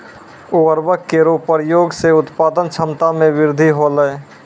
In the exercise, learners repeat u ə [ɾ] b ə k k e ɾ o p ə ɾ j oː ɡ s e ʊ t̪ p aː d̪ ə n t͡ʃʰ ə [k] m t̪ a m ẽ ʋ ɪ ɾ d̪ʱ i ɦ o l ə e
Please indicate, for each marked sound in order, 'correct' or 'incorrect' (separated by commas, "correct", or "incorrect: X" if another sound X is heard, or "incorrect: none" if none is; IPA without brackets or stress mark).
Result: correct, incorrect: none